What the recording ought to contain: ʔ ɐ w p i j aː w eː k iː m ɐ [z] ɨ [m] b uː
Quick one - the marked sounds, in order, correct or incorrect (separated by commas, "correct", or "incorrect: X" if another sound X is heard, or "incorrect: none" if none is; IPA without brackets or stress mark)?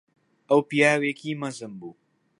correct, correct